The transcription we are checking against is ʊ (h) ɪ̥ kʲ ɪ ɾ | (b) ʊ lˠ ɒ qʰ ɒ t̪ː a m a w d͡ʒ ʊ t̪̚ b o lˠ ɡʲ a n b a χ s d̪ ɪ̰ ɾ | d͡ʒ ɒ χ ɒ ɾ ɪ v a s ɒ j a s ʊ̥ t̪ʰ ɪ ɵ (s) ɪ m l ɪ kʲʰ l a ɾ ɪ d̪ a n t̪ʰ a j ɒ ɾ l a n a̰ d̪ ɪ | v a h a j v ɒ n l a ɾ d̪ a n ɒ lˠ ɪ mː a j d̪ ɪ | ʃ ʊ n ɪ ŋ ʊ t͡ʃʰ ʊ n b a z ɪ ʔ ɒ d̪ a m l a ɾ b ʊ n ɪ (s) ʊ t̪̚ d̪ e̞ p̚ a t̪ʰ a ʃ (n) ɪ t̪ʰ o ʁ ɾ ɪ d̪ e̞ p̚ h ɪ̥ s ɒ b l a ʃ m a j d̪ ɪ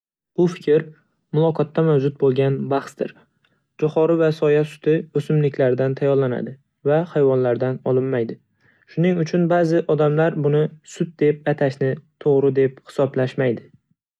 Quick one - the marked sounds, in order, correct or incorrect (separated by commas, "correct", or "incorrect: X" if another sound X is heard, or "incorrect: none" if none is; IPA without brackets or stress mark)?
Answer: incorrect: f, incorrect: m, correct, correct, correct